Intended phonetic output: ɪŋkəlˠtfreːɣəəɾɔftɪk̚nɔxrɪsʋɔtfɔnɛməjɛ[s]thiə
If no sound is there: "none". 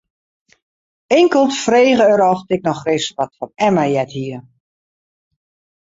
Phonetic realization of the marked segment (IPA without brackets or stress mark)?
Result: none